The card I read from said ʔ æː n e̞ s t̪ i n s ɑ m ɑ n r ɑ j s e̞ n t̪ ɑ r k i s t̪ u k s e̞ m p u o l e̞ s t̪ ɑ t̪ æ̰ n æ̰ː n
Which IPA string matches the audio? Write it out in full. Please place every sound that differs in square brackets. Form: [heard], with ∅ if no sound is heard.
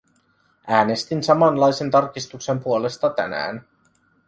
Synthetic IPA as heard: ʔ æː n e̞ s t̪ i n s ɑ m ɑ n [l] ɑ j s e̞ n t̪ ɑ r k i s t̪ u k s e̞ m p u o l e̞ s t̪ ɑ t̪ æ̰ n æ̰ː n